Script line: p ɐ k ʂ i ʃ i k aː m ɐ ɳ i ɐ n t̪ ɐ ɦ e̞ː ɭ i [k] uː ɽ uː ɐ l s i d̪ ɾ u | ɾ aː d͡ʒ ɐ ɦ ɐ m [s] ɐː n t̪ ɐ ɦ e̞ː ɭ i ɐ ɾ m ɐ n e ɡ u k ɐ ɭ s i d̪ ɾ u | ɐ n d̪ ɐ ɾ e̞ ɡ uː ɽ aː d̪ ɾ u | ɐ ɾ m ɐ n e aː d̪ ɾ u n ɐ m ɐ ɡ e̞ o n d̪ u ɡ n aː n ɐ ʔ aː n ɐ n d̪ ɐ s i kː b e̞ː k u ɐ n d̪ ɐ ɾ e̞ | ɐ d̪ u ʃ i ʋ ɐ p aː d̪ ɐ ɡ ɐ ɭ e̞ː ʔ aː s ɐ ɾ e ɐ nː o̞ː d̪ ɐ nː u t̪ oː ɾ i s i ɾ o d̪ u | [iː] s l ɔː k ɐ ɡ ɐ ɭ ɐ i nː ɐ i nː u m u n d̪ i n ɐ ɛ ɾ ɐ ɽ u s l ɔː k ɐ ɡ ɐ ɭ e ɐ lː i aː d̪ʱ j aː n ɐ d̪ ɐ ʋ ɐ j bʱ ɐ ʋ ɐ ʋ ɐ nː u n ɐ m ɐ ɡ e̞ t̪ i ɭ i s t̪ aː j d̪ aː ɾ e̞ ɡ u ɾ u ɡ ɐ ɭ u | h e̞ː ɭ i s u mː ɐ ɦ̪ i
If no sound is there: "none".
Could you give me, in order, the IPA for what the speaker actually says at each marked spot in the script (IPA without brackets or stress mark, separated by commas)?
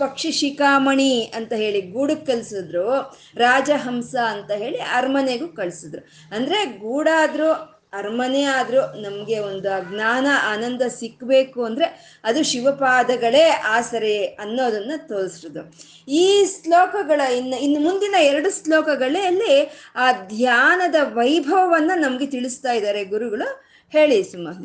ɡ, s, iː